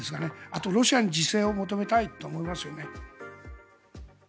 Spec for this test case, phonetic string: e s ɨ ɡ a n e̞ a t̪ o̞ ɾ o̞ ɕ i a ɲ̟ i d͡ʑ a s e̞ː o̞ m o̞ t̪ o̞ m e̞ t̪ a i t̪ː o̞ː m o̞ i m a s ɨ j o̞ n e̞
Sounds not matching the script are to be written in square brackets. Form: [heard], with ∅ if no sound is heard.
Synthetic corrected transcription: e s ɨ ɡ a n e̞ a t̪ o̞ ɾ o̞ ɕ i a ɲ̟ i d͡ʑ [i] s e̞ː o̞ m o̞ t̪ o̞ m e̞ t̪ a i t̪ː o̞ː m o̞ i m a s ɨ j o̞ n e̞